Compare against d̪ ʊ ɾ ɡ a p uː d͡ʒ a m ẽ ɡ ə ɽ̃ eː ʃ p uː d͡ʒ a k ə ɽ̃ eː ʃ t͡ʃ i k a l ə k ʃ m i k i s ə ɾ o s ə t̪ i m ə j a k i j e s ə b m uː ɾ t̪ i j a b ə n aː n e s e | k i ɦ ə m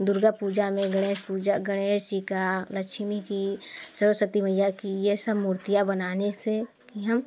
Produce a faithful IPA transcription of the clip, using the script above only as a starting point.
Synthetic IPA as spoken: d̪ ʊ ɾ ɡ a p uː d͡ʒ a m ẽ ɡ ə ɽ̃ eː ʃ p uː d͡ʒ a ɡ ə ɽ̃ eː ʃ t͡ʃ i k a l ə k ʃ m i k i s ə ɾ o s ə t̪ i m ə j a k i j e s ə b m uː ɾ t̪ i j a b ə n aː n e s e | k i ɦ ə m